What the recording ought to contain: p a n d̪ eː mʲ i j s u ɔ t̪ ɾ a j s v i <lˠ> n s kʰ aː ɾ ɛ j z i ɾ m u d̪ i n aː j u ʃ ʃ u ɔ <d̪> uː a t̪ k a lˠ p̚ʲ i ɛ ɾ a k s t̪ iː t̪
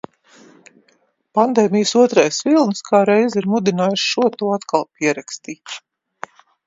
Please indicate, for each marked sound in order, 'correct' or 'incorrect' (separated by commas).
correct, incorrect